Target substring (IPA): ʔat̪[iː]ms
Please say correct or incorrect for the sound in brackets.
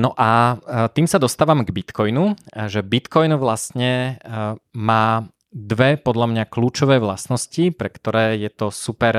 correct